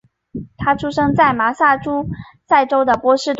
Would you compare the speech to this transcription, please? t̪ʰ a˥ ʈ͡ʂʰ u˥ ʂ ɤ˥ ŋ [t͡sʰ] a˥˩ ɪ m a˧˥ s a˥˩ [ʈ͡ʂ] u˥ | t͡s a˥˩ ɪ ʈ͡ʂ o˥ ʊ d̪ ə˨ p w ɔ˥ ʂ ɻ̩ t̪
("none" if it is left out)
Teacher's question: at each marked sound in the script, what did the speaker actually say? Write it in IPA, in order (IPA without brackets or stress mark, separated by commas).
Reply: t͡s, ʈ͡ʂ